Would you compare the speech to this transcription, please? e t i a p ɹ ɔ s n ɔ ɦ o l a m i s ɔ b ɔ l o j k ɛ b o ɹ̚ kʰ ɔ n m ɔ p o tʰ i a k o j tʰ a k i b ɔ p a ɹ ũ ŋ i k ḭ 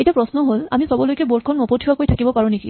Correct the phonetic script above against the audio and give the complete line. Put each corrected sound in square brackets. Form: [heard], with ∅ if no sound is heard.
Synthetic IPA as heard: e t i a p ɹ ɔ s n ɔ ɦ o l a m i s ɔ b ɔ l o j k ɛ b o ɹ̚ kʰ ɔ n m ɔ p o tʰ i a k o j tʰ a k i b ɔ p a ɹ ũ [n] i k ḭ